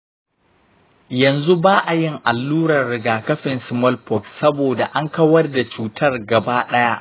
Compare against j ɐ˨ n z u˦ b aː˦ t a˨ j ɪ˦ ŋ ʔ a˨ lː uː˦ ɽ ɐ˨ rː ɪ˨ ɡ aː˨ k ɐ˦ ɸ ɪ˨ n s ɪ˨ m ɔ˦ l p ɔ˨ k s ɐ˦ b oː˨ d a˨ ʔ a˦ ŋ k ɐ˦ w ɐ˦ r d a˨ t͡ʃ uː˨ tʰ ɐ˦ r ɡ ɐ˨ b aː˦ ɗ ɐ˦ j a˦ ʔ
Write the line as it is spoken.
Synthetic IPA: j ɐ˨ n z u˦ b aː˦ ʔ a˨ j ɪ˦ ŋ ʔ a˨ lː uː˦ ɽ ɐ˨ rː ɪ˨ ɡ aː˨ k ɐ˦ ɸ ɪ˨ n s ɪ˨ m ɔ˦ l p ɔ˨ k s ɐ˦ b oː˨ d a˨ ʔ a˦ ŋ k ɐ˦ w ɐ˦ r d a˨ t͡ʃ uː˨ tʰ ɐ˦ r ɡ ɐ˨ b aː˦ ɗ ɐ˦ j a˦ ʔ

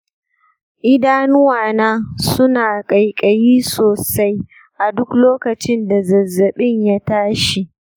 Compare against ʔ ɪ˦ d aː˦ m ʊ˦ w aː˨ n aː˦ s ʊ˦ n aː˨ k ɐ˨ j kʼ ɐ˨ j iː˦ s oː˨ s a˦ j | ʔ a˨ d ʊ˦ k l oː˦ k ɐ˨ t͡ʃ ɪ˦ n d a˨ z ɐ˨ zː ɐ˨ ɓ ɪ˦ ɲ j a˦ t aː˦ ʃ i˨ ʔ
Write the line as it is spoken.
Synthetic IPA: ʔ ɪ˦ d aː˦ n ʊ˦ w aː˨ n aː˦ s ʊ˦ n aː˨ kʼ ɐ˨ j kʼ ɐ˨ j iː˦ s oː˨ s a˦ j | ʔ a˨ d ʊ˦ k l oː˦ k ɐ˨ t͡ʃ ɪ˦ n d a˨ z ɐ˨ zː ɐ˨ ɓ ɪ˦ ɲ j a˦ t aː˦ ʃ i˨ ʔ

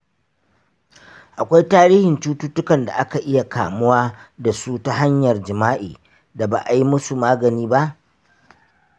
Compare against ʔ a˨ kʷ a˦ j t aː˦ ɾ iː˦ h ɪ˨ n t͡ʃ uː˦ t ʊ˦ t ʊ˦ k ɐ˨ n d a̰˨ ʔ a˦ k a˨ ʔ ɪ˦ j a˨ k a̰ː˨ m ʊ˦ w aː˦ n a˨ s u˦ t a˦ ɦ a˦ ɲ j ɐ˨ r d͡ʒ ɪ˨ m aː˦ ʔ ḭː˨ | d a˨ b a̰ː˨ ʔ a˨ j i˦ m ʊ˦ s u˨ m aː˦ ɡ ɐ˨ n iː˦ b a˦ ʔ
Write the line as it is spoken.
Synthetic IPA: ʔ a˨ kʷ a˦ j t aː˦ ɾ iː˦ h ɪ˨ n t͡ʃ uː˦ t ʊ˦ t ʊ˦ k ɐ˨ n d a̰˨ ʔ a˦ k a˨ ʔ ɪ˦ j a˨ k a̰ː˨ m ʊ˦ w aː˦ d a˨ s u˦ t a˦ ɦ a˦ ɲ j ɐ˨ r d͡ʒ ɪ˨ m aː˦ ʔ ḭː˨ | d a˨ b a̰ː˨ ʔ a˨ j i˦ m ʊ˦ s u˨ m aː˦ ɡ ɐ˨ n iː˦ b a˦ ʔ

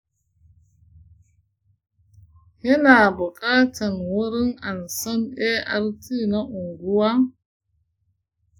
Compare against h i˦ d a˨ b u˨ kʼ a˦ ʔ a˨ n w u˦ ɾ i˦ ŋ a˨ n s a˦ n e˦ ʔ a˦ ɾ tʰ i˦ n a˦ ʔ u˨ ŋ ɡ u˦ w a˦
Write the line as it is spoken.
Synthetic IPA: h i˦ n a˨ b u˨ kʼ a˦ t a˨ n w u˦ ɾ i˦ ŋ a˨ n s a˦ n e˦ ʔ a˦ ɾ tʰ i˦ n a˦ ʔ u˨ ŋ ɡ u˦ w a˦

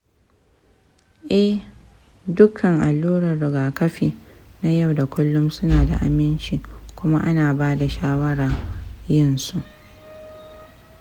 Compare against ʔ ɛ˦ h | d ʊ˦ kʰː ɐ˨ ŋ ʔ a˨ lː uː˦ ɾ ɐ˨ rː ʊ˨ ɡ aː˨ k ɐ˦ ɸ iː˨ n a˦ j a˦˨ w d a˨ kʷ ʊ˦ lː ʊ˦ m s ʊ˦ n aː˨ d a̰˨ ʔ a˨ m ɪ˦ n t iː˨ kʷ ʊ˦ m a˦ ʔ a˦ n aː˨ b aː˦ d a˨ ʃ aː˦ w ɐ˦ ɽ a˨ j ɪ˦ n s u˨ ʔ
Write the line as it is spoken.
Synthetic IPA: ʔ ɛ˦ h | d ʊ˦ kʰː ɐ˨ ŋ ʔ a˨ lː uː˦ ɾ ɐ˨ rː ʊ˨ ɡ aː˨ k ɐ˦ ɸ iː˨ n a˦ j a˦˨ w d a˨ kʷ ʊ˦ lː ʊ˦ m s ʊ˦ n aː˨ d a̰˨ ʔ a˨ m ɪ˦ n t͡ʃ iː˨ kʷ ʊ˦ m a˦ ʔ a˦ n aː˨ b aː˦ d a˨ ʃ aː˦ w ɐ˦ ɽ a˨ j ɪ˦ n s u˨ ʔ

